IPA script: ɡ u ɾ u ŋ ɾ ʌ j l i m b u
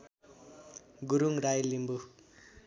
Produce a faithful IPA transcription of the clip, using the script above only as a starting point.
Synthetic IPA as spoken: ɡ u ɾ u ŋ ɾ a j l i m b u